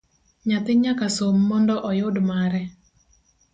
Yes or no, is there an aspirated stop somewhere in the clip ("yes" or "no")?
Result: no